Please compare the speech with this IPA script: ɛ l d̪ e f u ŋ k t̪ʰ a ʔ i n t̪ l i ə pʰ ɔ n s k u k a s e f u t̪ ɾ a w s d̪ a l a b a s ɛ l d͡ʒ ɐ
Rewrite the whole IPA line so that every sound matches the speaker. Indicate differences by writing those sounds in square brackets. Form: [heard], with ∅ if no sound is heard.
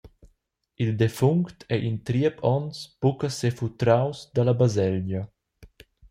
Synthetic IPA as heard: [i] l d̪ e f u ŋ k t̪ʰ [ɛ] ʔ i n t̪ [ɾ] i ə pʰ ɔ n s [p] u k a s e f u t̪ ɾ a w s d̪ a l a b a [z] ɛ l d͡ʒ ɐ